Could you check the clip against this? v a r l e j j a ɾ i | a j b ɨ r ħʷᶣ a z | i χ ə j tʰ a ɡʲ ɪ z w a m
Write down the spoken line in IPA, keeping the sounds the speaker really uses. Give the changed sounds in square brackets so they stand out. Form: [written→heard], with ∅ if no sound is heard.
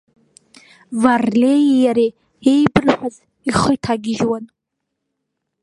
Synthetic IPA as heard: v a r l e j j a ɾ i | [a→e] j b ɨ r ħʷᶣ a z | i χ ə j tʰ a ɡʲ ɪ [z→ʒ] w a [m→n]